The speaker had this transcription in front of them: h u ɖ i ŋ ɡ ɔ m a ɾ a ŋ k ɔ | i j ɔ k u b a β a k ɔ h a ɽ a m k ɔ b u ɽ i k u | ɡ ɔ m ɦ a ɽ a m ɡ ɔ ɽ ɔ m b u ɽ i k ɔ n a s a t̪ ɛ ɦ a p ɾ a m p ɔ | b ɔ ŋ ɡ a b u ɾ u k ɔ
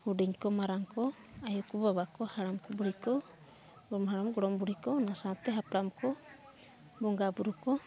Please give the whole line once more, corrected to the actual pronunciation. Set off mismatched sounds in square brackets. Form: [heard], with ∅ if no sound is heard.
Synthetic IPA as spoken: h u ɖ i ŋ [k] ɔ m a ɾ a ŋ k ɔ | [a] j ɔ k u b a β a k ɔ h a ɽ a m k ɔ b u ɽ i k [ɔ] | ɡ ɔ m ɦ a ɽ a m ɡ ɔ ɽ ɔ m b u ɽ i k ɔ n a s a t̪ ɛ ɦ a p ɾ a m [k] ɔ | b ɔ ŋ ɡ a b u ɾ u k ɔ